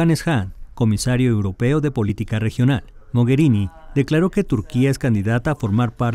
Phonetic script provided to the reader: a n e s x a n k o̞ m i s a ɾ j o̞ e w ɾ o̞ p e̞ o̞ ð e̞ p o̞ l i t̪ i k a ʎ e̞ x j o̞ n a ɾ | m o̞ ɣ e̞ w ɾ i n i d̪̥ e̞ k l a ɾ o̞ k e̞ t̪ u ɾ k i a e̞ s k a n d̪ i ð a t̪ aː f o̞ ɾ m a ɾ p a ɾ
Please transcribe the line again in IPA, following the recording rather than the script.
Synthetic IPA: a n e s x a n k o̞ m i s a ɾ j o̞ e w ɾ o̞ p e̞ o̞ ð e̞ p o̞ l i t̪ i k a r e̞ x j o̞ n a l | m o̞ ɣ e̞ ɾ i n i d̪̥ e̞ k l a ɾ o̞ k e̞ t̪ u ɾ k i a e̞ s k a n d̪ i ð a t̪ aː f o̞ ɾ m a ɾ p a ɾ